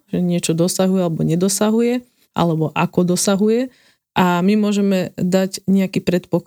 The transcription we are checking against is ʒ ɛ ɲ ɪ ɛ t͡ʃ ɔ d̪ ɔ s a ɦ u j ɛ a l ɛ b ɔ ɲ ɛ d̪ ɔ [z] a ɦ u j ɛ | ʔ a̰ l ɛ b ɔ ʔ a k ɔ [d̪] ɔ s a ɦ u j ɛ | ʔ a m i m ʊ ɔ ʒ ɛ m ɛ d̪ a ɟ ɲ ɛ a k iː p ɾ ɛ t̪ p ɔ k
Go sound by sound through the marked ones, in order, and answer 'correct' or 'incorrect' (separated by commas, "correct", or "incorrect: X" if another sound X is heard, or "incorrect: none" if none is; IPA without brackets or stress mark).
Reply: incorrect: s, correct